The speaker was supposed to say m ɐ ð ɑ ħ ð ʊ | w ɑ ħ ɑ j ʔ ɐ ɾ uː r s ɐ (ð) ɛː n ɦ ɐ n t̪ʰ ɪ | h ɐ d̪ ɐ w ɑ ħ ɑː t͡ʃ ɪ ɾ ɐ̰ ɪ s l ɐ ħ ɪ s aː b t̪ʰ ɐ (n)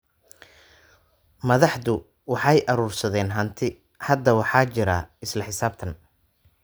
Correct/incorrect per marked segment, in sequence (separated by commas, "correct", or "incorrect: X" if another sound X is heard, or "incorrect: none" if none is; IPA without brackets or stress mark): correct, correct